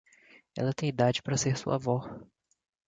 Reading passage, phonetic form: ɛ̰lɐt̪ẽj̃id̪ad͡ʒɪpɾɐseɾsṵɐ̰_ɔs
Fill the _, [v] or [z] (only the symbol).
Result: v